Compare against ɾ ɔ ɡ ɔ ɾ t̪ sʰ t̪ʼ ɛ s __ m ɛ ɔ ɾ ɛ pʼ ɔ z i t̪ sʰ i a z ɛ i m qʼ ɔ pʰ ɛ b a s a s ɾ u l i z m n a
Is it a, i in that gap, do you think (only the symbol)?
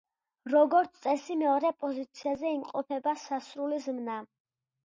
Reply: i